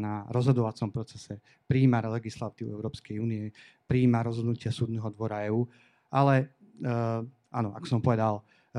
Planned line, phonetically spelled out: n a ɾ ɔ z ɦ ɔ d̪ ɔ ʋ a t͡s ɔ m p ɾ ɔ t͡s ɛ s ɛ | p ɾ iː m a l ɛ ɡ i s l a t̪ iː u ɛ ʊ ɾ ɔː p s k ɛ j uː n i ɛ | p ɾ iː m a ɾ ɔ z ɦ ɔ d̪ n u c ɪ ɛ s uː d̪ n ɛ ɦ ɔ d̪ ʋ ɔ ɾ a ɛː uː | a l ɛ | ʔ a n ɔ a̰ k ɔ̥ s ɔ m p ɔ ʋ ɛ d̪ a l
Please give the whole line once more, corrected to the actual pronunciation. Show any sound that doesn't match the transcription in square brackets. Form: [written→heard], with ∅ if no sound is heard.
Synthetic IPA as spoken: n a ɾ ɔ z ɦ ɔ d̪ ɔ ʋ a t͡s ɔ m p ɾ ɔ t͡s ɛ s ɛ | p ɾ iː m a l ɛ ɡ i s l a t̪ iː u ɛ ʊ ɾ ɔː p s k ɛ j uː n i ɛ | p ɾ iː m a ɾ ɔ z ɦ ɔ d̪ n u c ɪ [ɛ→a] s uː d̪ n ɛ ɦ ɔ d̪ ʋ ɔ ɾ a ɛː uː | a l ɛ | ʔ a n ɔ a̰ k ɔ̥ s ɔ m p ɔ ʋ ɛ d̪ a l